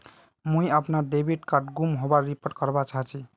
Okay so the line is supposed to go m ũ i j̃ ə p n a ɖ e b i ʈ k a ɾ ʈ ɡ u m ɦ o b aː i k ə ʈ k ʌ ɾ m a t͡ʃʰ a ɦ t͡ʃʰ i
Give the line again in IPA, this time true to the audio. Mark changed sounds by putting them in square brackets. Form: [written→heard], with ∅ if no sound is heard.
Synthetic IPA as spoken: m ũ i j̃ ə p n a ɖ e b i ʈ k a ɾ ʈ ɡ u m ɦ o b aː i [k→p] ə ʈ k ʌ ɾ [m→b] a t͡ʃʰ a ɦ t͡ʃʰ i